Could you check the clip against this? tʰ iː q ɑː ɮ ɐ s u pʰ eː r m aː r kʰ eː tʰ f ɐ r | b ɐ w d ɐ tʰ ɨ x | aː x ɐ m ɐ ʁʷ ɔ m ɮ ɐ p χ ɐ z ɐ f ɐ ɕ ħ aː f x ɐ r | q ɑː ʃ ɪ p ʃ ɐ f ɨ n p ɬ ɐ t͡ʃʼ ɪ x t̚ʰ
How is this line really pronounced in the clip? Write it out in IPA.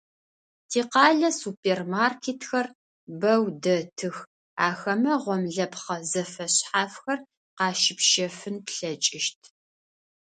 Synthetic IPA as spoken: tʰ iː q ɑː ɮ ɐ s u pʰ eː r m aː r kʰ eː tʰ x ɐ r | b ɐ w d ɐ tʰ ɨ x | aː x ɐ m ɐ ʁʷ ɔ m ɮ ɐ p χ ɐ z ɐ f ɐ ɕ ħ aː f x ɐ r | q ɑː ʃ ɪ p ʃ ɐ f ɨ n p ɬ ɐ t͡ʃʼ ɪ ʃ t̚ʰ